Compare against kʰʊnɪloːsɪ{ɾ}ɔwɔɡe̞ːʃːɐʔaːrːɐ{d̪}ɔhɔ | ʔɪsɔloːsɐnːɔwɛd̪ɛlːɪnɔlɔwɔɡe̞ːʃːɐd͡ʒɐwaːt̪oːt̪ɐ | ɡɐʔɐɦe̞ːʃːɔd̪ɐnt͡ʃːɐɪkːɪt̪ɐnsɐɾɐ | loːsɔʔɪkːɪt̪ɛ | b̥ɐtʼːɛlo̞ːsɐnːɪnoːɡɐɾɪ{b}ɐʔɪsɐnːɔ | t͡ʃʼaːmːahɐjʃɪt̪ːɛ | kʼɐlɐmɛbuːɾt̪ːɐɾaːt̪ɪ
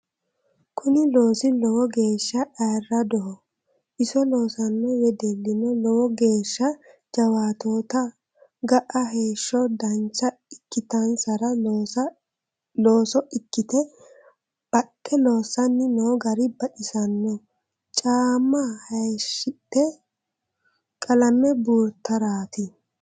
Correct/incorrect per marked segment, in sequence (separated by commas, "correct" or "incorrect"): incorrect, correct, correct